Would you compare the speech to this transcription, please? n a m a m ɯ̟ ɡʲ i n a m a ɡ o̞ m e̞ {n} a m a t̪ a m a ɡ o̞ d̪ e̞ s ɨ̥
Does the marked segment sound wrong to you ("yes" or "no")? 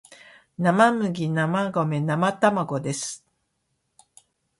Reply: no